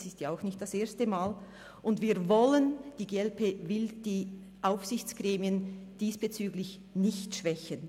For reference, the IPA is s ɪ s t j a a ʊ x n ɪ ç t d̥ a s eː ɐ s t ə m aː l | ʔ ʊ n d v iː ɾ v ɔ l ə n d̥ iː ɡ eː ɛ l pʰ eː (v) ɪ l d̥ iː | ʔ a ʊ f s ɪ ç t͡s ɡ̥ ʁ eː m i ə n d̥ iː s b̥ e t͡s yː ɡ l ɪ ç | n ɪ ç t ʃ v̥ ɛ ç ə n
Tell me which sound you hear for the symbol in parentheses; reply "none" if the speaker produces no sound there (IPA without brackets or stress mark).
v